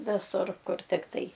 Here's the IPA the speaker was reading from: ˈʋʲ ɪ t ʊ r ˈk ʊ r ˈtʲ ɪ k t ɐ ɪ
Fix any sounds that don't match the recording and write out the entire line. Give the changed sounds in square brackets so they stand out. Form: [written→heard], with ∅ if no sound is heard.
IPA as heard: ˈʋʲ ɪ [t→s] ʊ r ˈk ʊ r ˈtʲ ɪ k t ɐ ɪ